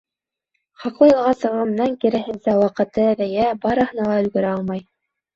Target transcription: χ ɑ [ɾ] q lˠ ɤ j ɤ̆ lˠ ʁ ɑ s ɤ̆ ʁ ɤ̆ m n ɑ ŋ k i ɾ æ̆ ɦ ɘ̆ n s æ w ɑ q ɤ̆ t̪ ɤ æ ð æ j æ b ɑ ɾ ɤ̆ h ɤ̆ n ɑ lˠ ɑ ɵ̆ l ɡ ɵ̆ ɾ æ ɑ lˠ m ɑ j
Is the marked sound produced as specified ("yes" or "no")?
no